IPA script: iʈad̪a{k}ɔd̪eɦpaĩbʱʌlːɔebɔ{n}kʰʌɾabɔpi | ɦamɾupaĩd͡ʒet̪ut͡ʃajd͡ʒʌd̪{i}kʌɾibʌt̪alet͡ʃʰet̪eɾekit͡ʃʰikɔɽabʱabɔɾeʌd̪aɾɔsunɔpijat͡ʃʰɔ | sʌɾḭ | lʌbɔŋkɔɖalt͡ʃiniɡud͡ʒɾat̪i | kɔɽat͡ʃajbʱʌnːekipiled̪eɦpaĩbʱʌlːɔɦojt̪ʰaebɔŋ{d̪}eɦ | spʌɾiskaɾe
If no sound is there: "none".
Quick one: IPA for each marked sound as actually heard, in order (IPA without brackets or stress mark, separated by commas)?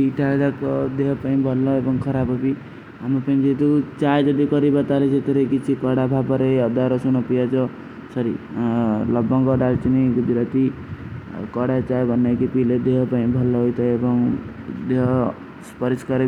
k, ŋ, i, d̪